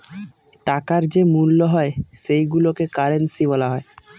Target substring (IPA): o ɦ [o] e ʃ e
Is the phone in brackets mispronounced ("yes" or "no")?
yes